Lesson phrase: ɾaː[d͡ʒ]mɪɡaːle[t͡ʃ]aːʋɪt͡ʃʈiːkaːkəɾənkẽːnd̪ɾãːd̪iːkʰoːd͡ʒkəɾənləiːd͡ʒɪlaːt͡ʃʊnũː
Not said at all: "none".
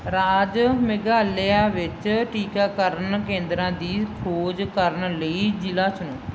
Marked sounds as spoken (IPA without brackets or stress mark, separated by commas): d͡ʒ, none